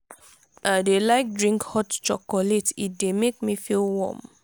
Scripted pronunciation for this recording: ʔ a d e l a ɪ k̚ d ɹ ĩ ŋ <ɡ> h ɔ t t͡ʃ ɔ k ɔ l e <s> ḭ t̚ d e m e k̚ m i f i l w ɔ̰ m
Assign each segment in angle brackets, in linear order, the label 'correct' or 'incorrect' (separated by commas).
incorrect, incorrect